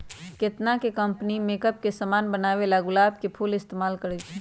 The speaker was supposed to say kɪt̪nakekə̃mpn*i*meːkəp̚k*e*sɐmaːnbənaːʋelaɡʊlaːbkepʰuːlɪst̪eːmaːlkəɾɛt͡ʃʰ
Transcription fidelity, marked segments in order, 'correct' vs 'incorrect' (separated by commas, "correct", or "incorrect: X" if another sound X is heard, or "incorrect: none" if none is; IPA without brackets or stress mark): correct, correct